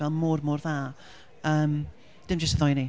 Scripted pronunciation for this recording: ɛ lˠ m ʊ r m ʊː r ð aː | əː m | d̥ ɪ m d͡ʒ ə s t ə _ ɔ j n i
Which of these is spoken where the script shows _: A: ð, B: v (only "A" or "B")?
A